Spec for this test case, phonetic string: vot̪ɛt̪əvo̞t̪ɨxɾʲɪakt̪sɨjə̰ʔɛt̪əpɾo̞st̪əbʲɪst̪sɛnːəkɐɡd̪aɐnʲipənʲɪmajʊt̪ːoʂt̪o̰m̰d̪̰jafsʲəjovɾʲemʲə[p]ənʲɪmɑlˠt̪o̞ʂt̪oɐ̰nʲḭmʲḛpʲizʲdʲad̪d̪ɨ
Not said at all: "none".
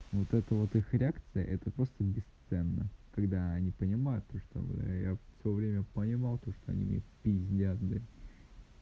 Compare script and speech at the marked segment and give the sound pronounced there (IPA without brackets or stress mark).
p